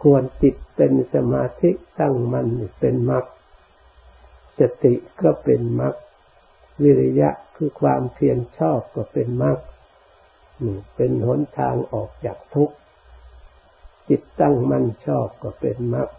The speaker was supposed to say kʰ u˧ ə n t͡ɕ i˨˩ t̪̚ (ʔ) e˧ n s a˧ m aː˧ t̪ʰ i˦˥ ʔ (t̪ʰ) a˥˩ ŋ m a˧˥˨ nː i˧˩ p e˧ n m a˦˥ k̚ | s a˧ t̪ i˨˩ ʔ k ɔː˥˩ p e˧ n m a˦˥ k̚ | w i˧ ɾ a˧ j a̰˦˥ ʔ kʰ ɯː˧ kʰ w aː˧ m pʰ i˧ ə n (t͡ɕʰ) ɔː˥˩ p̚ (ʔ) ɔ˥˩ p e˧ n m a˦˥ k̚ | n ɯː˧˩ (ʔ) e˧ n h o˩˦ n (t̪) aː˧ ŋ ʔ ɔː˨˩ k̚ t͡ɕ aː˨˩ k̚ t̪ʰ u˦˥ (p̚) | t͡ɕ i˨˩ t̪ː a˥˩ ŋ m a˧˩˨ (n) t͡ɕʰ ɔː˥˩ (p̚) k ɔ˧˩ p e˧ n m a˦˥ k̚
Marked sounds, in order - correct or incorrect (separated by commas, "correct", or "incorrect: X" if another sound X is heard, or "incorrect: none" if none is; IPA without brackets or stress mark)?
incorrect: p, incorrect: t̪, correct, incorrect: k, incorrect: p, incorrect: t̪ʰ, incorrect: k̚, correct, correct